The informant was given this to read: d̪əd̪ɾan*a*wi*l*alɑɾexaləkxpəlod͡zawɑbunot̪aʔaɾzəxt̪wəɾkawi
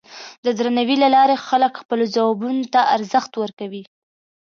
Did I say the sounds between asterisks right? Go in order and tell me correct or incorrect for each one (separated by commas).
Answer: correct, correct